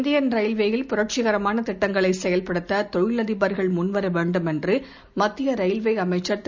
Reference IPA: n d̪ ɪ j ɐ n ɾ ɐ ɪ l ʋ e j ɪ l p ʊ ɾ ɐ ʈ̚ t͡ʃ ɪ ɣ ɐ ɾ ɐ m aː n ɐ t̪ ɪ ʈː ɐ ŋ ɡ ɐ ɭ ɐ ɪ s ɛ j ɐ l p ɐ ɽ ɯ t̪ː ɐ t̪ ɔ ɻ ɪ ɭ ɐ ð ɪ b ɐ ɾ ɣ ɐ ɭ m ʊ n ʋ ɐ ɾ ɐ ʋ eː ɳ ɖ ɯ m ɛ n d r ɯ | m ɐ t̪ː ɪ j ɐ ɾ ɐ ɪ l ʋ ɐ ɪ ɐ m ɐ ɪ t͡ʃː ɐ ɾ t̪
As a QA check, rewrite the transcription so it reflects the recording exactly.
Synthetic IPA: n d̪ ɪ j ɐ n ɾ ɐ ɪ l ʋ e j ɪ l p ʊ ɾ ɐ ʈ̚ t͡ʃ ɪ ɣ ɐ ɾ ɐ m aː n ɐ t̪ ɪ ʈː ɐ ŋ ɡ ɐ ɭ ɐ ɪ s ɛ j ɐ l p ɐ ɽ ɯ t̪ː ɐ t̪ ɔ ɻ ɪ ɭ ɐ ð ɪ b ɐ ɾ ɣ ɐ ɭ m ʊ n ʋ ɐ ɾ ɐ ʋ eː ɳ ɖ ɯ m ɛ n d r ɯ | m ɐ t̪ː ɪ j ɐ ɾ ɐ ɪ l ʋ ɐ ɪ ɐ m ɐ ɪ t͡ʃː ɐ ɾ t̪